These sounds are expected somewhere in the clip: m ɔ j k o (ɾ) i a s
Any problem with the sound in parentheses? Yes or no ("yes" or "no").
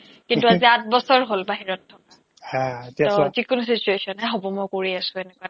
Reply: yes